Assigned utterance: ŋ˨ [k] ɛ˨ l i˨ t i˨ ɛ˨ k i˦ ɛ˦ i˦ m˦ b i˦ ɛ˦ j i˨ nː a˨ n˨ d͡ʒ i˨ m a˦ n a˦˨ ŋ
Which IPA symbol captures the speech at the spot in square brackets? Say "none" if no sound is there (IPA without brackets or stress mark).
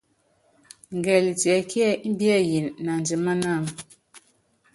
ɡ